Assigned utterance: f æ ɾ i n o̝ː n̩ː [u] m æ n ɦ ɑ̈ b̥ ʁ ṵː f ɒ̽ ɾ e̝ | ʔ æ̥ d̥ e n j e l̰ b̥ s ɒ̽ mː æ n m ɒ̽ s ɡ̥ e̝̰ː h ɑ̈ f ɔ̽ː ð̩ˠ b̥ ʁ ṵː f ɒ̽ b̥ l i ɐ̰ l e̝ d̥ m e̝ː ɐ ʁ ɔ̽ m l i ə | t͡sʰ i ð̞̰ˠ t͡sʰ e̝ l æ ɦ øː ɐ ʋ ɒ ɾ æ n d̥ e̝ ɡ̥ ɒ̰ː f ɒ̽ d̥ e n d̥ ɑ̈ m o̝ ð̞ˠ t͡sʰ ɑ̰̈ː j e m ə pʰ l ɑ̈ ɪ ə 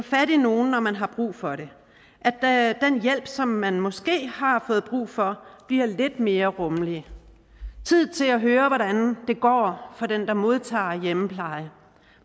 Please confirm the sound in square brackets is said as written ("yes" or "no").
no